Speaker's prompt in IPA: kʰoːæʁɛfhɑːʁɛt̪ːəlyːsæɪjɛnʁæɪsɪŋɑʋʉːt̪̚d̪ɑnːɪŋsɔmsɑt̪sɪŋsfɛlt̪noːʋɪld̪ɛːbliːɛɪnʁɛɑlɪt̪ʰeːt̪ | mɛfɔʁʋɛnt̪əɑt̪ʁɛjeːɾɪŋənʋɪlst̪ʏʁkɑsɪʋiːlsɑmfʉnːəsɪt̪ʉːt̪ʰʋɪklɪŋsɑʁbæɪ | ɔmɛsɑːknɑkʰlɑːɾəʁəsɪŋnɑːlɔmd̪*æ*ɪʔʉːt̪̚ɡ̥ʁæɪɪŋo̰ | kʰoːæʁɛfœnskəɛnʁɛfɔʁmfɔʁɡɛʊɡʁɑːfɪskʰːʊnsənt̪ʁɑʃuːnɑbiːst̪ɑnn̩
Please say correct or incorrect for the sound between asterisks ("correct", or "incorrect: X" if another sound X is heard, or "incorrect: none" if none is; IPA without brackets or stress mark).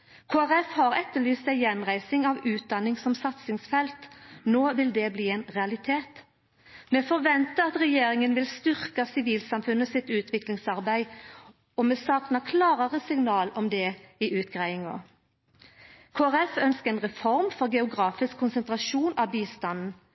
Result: incorrect: ɛ